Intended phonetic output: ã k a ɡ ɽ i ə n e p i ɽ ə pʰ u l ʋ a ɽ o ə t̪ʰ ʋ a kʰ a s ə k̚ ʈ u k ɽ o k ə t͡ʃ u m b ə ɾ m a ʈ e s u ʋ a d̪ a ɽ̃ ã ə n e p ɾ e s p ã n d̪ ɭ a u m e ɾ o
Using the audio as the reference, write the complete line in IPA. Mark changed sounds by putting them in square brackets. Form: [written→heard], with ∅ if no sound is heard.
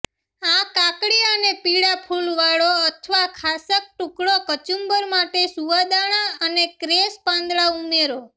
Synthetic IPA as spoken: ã k a [ɡ→k] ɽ i ə n e p i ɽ [ə→a] pʰ u l ʋ a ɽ o ə t̪ʰ ʋ a kʰ a s ə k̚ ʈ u k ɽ o k ə t͡ʃ u m b ə ɾ m a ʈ e s u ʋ a d̪ a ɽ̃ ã ə n e [p→k] ɾ e s p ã n d̪ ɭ a u m e ɾ o